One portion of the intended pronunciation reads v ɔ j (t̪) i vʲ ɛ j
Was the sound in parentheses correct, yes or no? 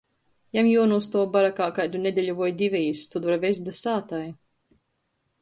no